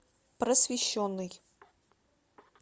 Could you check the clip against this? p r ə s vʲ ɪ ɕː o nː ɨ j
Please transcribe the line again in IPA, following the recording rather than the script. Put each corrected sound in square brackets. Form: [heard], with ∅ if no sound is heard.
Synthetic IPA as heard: p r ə s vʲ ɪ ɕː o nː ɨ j

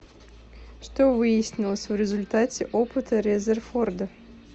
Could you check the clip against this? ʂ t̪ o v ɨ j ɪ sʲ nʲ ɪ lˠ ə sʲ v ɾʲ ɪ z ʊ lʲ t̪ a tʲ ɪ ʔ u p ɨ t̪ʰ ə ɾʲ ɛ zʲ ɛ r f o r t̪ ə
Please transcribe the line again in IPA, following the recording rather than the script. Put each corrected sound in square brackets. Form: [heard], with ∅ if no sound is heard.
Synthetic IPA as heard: ʂ t̪ o v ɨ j ɪ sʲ nʲ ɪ lˠ ə sʲ v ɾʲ ɪ z ʊ lʲ t̪ a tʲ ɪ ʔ [o] p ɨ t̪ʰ ə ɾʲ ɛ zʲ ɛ r f o r [d̪] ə

